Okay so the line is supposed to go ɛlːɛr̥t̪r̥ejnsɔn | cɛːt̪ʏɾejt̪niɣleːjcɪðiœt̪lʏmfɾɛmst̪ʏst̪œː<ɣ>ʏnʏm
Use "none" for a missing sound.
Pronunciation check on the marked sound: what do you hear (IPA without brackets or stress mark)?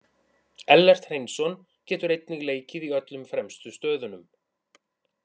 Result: ð